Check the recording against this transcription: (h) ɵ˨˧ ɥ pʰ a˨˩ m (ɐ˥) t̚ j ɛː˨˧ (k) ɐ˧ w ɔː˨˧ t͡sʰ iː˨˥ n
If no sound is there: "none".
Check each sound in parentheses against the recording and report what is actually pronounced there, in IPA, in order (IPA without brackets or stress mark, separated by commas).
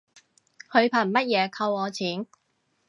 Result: h, ɐ˥, kʰ